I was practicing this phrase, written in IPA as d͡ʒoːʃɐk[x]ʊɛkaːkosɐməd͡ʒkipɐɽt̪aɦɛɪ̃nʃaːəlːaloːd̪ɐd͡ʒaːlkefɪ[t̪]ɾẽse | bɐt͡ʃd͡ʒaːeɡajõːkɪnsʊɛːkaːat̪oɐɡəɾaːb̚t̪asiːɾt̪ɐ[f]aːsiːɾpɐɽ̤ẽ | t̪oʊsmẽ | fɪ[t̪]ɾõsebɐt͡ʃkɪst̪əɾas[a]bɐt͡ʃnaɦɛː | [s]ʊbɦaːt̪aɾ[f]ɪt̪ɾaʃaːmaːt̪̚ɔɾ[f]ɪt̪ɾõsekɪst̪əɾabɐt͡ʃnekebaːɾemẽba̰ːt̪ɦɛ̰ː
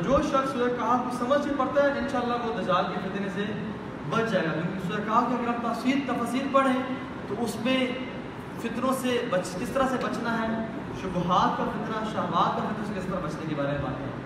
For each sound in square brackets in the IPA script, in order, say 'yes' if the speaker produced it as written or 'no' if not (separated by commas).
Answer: no, yes, yes, yes, no, no, yes, yes